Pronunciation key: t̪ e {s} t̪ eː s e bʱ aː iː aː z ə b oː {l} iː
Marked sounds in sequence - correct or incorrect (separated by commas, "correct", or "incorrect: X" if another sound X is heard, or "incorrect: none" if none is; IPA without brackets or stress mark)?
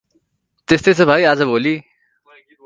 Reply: correct, correct